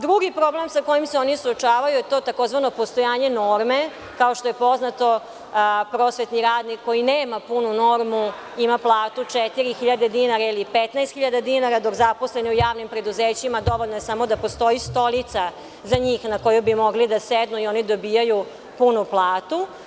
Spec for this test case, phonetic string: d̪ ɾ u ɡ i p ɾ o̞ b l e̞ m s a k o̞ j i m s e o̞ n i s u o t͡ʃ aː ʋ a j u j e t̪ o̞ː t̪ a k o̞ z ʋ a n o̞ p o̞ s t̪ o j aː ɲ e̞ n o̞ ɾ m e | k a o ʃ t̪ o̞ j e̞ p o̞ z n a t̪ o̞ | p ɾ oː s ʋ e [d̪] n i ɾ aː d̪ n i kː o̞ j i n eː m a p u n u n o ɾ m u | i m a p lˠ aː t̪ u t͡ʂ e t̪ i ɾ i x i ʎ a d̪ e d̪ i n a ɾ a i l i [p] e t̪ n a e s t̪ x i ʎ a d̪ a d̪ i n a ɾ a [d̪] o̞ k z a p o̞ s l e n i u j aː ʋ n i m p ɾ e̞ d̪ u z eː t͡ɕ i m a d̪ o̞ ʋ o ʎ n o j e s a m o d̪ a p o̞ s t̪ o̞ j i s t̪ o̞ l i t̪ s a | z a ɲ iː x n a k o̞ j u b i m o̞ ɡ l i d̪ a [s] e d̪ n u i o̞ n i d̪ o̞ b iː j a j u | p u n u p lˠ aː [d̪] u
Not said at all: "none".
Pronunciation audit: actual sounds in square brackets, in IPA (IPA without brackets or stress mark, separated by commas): t̪, p, d̪, s, t̪